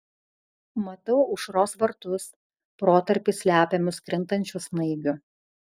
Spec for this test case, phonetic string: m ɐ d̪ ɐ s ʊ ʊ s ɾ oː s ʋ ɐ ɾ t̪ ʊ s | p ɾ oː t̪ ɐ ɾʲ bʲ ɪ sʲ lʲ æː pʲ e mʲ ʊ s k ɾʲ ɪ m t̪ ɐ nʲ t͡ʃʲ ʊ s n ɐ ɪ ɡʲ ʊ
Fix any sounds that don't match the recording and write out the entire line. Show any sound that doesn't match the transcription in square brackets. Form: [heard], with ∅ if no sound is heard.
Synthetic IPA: m ɐ [t̪] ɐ [∅] ʊ ʊ [ʃ] ɾ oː s ʋ ɐ ɾ t̪ ʊ s | p ɾ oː t̪ ɐ ɾʲ [pʲ] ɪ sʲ lʲ æː pʲ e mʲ ʊ s k ɾʲ ɪ [n] t̪ ɐ nʲ t͡ʃʲ ʊ s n ɐ ɪ ɡʲ ʊ